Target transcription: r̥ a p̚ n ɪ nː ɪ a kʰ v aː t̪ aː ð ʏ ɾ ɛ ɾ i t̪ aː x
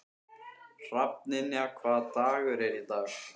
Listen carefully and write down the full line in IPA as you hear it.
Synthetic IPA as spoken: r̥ a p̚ n ɪ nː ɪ a kʰ v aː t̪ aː ɣ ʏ ɾ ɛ ɾ i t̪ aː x